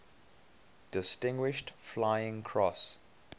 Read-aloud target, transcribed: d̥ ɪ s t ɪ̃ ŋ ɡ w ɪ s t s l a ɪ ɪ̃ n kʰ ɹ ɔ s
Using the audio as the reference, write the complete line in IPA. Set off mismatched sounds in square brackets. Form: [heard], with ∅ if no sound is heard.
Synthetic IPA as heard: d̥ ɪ s t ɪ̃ ŋ ɡ w ɪ [ʃ] t [f] l a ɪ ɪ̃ [ŋ] kʰ ɹ ɔ s

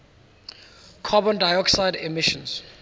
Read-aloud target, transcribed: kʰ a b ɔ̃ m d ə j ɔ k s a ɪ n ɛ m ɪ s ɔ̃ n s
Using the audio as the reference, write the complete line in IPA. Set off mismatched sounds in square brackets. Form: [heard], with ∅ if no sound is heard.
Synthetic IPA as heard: kʰ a b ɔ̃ [n] d [a] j ɔ k s a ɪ [d] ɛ m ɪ [ʃ] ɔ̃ n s

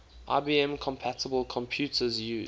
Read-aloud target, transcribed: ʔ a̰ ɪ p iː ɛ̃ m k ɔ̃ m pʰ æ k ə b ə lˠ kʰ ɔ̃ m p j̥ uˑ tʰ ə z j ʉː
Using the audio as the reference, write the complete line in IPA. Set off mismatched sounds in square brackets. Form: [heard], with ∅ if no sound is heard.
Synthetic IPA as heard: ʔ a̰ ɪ [b] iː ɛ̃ m [kʰ] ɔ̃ m pʰ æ [t] ə b ə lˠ kʰ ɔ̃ m [pʰ] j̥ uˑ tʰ ə z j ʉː

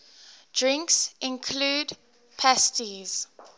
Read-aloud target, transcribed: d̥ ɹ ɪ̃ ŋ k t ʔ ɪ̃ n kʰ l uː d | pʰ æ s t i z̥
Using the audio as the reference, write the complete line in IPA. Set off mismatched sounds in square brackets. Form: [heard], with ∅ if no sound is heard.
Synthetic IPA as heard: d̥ ɹ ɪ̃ ŋ k [s] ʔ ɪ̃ n kʰ l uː d | pʰ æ s t i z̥

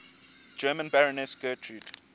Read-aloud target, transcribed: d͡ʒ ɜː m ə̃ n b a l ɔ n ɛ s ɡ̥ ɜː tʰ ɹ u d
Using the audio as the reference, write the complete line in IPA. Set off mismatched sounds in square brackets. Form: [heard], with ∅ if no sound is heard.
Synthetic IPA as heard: d͡ʒ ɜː m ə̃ n b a [ɹ] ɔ n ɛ s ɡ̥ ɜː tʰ ɹ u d

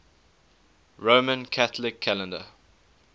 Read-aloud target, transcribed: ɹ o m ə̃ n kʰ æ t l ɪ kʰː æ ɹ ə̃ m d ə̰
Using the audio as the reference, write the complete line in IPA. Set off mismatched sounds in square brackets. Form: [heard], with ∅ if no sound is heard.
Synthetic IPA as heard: ɹ o m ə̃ n kʰ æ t l ɪ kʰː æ [l] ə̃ [n] d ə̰

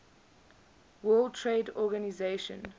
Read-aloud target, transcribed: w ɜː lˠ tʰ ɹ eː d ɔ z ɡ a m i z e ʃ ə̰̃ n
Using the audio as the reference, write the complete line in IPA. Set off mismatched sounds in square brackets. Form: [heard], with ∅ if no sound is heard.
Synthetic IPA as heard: w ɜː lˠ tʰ ɹ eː d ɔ [∅] ɡ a [n] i z e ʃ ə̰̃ n

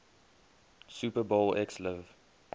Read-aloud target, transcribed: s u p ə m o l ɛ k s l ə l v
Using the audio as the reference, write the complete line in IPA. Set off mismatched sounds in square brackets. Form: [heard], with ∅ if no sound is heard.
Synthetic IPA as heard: s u p ə [b] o l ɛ k s l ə [∅] v

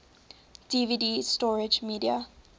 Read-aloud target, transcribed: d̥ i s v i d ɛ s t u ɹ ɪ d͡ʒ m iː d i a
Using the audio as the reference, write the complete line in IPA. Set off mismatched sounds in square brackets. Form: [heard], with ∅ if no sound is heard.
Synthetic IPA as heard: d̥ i [∅] v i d [i] s t [ɔ] ɹ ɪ d͡ʒ m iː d i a

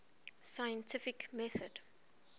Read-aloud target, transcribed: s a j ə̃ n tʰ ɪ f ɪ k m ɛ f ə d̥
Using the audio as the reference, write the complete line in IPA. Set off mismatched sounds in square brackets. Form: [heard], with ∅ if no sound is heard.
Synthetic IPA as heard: s a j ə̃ n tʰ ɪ f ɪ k m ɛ [θ] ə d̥

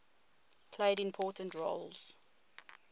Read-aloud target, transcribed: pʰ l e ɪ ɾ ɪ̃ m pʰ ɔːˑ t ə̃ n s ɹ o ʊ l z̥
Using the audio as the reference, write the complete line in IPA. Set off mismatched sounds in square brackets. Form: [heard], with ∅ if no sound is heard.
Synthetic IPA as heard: pʰ l e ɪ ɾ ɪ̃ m pʰ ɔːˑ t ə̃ n [t] ɹ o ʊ l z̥

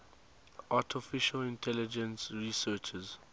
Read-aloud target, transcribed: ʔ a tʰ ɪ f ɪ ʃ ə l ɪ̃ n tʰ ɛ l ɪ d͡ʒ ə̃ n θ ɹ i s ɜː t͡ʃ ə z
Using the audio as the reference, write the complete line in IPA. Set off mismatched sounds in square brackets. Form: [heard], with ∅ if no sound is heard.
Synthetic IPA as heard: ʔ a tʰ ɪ f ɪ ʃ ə l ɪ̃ n tʰ ɛ l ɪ d͡ʒ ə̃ n [s] ɹ i s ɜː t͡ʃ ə z

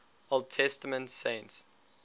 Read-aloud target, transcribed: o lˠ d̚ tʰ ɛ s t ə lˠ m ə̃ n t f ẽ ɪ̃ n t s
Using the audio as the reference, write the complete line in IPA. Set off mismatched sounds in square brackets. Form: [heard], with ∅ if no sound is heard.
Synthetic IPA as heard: o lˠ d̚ tʰ ɛ s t ə [∅] m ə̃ n t [s] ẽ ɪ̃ n t s

